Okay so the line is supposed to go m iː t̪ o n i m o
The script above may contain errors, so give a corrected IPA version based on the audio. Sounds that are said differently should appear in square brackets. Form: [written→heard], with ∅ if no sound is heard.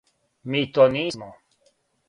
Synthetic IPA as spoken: m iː t̪ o n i m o